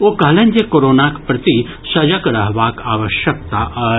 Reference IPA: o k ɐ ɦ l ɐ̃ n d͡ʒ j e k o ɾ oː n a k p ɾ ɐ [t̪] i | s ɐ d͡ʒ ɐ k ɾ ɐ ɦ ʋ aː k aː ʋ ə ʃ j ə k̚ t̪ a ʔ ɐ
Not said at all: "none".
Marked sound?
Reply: t̪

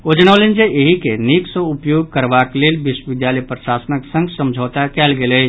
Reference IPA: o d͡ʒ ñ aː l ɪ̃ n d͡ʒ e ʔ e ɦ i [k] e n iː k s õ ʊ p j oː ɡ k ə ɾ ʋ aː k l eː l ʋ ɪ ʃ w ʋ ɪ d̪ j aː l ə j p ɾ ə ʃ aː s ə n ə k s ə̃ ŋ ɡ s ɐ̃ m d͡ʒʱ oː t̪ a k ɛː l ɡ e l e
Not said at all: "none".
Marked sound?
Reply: k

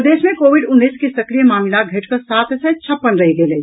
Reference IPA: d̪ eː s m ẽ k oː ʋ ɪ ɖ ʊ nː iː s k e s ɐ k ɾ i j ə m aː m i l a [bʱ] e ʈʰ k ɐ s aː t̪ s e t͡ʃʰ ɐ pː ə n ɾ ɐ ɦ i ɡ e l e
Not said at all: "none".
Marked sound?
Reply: ɡʱ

